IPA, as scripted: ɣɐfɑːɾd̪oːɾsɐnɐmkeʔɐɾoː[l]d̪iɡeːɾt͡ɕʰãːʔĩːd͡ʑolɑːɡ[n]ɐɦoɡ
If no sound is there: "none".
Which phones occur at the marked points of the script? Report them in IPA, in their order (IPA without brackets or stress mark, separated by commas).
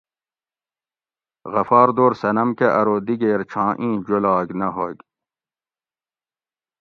none, n